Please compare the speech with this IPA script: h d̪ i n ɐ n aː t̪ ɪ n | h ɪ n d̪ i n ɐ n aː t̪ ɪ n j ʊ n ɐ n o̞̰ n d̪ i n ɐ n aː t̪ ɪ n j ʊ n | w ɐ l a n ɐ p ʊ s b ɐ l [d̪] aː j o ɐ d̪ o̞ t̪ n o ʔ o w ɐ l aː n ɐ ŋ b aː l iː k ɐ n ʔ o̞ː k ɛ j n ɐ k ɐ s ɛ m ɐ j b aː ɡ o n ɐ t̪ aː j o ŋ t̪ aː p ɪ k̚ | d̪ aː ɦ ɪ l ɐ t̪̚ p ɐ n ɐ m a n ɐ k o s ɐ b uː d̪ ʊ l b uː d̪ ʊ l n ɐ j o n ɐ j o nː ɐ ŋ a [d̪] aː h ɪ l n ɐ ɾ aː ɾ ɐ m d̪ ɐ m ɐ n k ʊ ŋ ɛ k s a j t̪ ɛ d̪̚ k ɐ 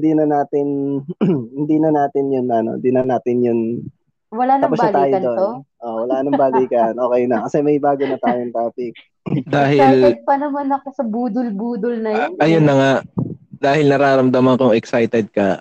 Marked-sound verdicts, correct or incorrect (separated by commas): incorrect, correct